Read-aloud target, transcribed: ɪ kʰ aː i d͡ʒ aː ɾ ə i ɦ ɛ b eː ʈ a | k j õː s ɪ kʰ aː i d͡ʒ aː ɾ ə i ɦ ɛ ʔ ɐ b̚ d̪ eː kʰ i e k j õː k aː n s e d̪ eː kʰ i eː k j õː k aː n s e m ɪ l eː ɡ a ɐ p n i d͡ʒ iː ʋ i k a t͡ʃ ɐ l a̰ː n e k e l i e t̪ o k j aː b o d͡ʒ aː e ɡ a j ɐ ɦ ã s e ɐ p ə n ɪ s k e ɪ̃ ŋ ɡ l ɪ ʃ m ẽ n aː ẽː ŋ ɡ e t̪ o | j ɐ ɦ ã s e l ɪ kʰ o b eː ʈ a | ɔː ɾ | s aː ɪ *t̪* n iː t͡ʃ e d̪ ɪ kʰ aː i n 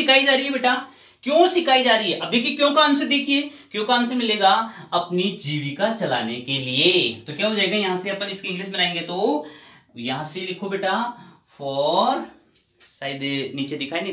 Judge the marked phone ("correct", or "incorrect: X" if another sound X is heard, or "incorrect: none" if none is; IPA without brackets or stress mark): incorrect: d̪